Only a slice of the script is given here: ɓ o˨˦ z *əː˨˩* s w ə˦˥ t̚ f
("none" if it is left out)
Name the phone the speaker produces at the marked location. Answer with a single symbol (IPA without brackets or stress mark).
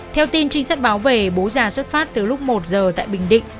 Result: aː˨˩